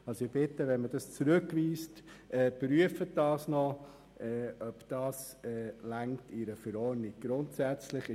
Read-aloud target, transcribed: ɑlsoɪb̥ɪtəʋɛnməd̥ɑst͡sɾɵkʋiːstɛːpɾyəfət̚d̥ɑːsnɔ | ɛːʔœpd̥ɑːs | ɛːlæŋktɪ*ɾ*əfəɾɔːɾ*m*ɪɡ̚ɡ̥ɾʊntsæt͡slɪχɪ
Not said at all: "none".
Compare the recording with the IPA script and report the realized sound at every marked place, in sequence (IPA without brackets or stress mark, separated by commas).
ɾ, n